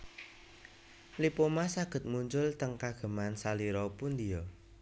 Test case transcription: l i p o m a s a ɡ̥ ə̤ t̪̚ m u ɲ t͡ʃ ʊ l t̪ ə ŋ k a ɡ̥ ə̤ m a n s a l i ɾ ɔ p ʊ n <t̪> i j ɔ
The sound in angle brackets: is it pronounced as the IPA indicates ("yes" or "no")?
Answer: no